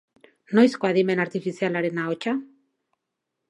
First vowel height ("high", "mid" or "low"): mid